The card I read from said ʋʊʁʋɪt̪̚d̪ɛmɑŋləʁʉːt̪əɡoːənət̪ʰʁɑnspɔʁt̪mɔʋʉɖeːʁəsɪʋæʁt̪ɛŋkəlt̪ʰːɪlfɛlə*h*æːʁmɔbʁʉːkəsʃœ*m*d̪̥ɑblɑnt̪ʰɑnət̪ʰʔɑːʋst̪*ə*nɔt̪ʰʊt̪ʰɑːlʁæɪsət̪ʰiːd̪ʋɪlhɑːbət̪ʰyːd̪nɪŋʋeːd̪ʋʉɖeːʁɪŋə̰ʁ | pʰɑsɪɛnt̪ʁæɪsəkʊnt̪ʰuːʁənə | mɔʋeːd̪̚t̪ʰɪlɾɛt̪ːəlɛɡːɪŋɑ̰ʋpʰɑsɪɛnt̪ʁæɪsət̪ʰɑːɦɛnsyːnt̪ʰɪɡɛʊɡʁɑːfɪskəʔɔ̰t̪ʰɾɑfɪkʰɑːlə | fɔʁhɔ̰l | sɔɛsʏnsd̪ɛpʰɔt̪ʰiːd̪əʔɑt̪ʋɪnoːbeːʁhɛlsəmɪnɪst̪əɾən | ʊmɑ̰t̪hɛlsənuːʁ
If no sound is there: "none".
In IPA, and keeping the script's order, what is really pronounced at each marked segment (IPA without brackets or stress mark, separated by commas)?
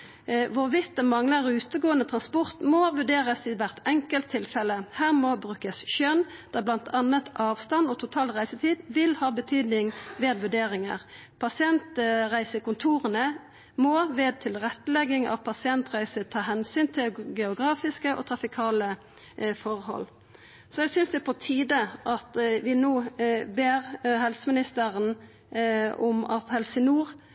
h, n, ɑ